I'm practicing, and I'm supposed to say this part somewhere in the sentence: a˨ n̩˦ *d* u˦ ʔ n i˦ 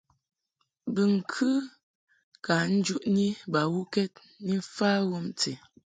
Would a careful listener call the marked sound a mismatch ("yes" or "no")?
yes